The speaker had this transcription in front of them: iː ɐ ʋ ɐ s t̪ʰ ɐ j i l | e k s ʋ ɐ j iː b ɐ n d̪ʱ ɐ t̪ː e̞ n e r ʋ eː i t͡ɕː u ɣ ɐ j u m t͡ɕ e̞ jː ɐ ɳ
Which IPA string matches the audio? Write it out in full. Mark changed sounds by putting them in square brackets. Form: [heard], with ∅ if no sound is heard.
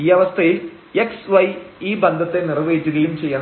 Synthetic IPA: iː ɐ ʋ ɐ s t̪ʰ ɐ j i l | e k s ʋ ɐ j iː b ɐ n d̪ʱ ɐ t̪ː e̞ n [i] r ʋ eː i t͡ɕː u ɣ ɐ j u m t͡ɕ e̞ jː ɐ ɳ